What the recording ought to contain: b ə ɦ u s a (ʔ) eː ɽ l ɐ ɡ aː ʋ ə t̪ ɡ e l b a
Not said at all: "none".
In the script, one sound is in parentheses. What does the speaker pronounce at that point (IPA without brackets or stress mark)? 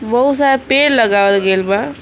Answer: p